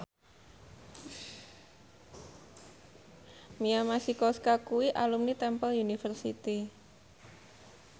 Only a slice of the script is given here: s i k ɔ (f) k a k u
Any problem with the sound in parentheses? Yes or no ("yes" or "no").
yes